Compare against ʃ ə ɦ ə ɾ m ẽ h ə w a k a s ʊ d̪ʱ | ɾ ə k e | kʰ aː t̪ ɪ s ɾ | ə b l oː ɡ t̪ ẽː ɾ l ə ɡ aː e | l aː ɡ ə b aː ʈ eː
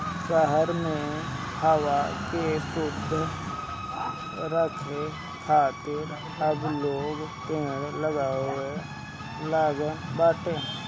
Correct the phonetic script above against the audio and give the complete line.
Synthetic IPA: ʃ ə ɦ ə ɾ m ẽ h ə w a k e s ʊ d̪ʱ | ɾ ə kʰ e | kʰ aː t̪ ɪ ɾ | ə b l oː ɡ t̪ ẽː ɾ l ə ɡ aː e | l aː ɡ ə b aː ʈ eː